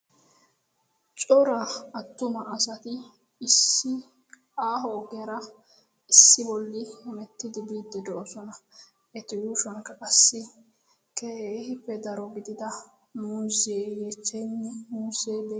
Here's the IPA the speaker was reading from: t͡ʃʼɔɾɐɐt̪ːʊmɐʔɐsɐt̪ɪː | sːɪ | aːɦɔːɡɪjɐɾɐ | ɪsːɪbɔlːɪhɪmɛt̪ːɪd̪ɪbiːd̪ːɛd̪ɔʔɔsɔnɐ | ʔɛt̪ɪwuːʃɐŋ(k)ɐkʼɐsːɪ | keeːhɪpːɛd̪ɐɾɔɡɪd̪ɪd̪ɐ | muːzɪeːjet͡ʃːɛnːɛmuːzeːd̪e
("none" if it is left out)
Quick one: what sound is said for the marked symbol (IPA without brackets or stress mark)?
k